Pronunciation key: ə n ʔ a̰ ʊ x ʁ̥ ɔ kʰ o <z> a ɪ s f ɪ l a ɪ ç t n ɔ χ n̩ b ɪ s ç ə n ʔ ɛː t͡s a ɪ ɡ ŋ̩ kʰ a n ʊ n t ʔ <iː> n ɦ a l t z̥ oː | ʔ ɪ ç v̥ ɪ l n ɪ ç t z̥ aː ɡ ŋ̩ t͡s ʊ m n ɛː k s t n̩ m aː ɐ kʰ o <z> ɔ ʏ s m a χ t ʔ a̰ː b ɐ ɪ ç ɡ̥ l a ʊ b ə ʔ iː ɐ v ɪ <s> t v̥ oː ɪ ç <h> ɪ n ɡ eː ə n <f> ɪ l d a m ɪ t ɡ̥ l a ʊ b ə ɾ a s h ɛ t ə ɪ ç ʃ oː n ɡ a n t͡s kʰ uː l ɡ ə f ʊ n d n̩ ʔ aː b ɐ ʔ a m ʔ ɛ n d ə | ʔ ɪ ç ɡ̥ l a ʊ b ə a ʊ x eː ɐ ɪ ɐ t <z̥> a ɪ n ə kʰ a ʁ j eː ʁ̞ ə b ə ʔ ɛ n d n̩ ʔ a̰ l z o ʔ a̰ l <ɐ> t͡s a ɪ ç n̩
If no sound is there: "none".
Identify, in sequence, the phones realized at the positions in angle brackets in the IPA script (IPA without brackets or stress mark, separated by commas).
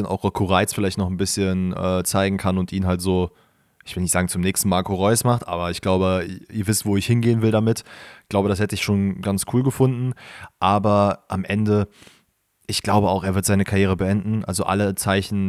ʁ, iː, ʁ, s, h, v, z̥, ə